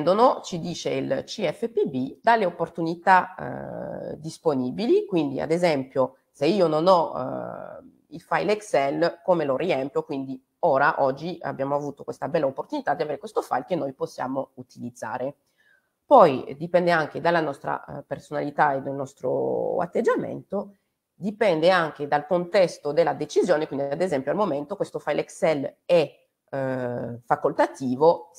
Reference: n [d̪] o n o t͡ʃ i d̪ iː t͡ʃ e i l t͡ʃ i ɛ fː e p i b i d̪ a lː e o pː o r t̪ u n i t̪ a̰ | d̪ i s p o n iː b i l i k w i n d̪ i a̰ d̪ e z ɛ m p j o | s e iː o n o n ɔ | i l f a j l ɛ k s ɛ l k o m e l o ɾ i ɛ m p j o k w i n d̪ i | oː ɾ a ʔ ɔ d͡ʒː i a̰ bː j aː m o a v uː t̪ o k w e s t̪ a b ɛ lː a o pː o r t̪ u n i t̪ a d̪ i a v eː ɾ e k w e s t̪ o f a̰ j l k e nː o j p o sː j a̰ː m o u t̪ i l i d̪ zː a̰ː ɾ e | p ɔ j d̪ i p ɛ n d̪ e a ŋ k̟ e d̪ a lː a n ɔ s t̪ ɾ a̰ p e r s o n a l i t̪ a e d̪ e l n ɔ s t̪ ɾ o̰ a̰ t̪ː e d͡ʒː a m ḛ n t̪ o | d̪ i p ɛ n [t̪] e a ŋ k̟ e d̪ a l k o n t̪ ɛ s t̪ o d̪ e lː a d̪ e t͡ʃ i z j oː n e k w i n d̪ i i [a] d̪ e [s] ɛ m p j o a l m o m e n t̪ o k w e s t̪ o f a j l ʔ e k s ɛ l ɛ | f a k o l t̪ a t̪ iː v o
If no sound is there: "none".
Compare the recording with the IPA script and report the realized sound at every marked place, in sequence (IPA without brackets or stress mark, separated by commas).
d̪, d̪, a, z